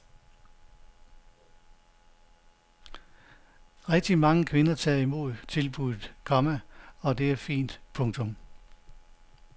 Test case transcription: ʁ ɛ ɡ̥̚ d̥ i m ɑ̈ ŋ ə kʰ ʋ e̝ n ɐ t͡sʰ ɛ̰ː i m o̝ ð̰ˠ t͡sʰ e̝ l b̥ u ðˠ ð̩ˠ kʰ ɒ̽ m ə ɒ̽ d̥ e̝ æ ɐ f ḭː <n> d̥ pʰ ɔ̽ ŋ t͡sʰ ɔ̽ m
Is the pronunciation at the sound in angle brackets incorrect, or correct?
correct